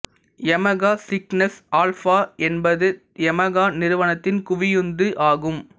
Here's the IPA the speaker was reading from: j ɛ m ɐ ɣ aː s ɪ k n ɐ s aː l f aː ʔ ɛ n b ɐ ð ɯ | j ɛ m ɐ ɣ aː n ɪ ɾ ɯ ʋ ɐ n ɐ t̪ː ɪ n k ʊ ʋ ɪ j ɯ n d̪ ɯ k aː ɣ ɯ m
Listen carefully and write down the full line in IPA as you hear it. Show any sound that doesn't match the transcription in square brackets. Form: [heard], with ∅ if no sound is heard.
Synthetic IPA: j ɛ m ɐ ɣ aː s ɪ k n ɐ s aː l f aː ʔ ɛ n b ɐ ð ɯ | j ɛ m ɐ ɣ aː n ɪ ɾ ɯ ʋ ɐ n ɐ t̪ː ɪ n k ʊ ʋ ɪ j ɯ n d̪ ɯ [ʔ] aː ɣ ɯ m